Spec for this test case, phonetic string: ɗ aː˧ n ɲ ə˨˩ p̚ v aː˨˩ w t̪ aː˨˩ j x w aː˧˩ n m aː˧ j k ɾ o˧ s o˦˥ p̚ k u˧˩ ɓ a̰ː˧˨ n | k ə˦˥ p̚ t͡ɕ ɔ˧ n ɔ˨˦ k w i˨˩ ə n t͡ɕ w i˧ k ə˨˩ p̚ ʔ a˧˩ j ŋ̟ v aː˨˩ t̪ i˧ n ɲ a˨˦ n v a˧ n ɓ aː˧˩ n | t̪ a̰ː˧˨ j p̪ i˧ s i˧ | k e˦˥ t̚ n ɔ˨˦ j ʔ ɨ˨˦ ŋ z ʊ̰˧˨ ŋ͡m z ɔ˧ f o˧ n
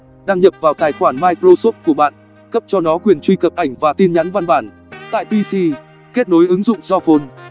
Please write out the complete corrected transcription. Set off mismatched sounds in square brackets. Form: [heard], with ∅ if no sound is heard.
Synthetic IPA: ɗ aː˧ [ŋ] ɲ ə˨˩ p̚ v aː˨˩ w t̪ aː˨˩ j x w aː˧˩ n m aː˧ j k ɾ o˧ s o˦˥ p̚ k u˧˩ ɓ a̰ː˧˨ n | k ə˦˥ p̚ t͡ɕ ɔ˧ n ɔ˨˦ k w i˨˩ ə n t͡ɕ w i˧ k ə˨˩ p̚ ʔ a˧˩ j ŋ̟ v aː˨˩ t̪ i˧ n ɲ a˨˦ n v a˧ n ɓ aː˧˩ n | t̪ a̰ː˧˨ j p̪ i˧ s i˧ | k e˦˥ t̚ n [o˨˦] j ʔ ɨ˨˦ ŋ z ʊ̰˧˨ ŋ͡m z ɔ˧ f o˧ n